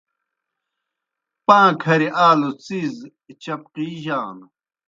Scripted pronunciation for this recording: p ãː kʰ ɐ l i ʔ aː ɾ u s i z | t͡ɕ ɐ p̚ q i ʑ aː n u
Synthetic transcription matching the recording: p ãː kʰ ɐ ɾ i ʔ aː l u t͡s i z | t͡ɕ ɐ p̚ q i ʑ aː n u

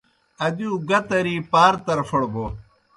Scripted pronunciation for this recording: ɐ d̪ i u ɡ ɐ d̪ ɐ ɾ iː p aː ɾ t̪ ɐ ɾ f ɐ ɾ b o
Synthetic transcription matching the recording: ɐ d̪ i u ɡ ɐ t̪ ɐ ɾ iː p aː ɾ t̪ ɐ ɾ f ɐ ɽ b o

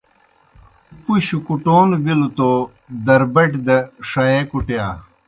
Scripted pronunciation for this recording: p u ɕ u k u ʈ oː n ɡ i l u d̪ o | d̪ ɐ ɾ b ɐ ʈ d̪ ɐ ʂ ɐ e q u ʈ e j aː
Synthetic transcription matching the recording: p u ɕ u k u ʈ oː n b i l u t̪ o | d̪ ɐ ɾ b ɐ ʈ d̪ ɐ ʂ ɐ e k u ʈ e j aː

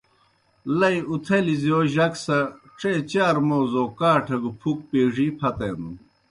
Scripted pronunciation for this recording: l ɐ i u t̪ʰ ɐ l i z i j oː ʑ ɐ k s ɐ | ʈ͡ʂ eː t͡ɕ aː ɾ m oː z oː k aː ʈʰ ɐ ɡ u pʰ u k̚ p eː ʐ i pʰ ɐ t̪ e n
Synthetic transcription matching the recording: l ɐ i u t̪ʰ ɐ l i z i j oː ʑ ɐ k s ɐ | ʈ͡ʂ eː t͡ɕ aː ɾ m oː z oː k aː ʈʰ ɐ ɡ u pʰ u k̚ p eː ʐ i pʰ ɐ t̪ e n

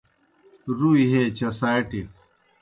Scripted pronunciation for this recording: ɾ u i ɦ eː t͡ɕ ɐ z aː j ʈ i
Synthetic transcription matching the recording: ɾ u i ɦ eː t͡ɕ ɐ s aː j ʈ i

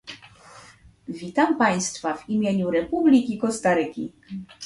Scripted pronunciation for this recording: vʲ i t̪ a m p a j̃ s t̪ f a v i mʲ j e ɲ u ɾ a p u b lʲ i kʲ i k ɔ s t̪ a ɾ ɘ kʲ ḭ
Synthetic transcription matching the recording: vʲ i t̪ a m p a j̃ s t̪ f a v i mʲ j e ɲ u ɾ ɛ p u b lʲ i kʲ i k ɔ s t̪ a ɾ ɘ kʲ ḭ

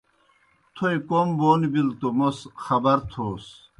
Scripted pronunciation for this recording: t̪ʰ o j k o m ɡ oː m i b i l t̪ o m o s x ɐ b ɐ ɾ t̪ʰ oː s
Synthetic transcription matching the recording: t̪ʰ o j k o m b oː n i b i l t̪ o m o s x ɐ b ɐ ɾ t̪ʰ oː s

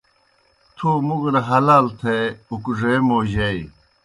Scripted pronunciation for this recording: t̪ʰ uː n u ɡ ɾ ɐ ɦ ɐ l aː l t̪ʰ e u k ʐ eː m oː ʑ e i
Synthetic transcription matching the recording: t̪ʰ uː m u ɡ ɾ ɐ ɦ ɐ l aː l t̪ʰ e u k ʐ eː m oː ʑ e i

